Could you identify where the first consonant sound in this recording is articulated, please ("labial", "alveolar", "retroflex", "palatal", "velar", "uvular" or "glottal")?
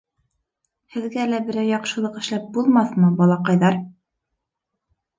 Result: glottal